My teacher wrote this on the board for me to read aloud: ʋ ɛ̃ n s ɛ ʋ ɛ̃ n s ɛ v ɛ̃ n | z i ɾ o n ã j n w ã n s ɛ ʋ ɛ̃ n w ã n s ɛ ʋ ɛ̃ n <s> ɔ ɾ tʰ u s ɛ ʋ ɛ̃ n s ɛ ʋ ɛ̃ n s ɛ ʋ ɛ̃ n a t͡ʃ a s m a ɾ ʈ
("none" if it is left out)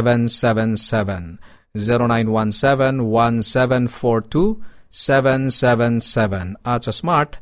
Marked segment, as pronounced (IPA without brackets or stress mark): f